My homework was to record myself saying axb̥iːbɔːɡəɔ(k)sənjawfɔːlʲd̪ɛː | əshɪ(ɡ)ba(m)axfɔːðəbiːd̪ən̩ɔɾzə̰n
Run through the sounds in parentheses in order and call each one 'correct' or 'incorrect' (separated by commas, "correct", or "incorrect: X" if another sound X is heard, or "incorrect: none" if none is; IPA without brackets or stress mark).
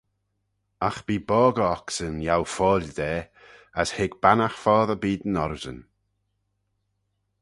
correct, correct, incorrect: n